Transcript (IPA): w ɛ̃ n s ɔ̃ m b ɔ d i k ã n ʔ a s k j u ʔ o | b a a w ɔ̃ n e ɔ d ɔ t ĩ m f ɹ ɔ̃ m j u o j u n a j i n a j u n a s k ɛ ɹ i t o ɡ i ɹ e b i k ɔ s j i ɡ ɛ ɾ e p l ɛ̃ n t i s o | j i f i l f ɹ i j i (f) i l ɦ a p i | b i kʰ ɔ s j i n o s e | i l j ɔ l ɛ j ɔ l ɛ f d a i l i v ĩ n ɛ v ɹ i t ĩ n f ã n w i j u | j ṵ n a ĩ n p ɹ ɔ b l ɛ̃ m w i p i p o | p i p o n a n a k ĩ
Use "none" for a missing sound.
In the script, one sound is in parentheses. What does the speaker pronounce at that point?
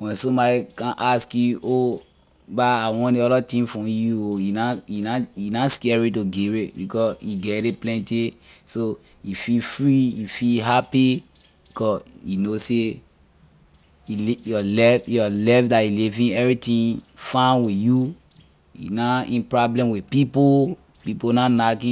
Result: f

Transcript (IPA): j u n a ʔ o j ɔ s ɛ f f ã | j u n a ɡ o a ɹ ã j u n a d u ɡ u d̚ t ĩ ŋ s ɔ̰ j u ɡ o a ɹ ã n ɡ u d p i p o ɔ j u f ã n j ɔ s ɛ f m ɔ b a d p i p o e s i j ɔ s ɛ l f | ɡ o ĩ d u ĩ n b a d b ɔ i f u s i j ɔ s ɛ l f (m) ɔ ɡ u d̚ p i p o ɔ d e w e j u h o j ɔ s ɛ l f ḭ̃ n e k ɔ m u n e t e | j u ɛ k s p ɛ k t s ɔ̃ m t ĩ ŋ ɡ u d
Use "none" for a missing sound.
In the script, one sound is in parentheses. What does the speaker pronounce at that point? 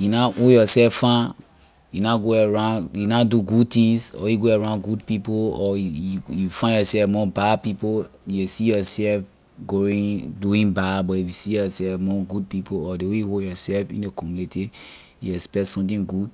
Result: m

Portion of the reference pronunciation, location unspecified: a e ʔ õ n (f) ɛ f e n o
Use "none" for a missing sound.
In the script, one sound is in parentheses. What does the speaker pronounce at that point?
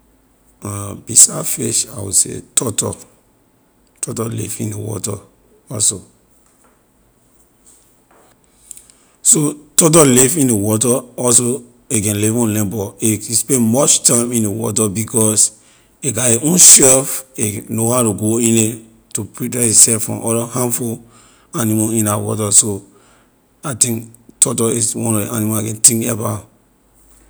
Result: ʃ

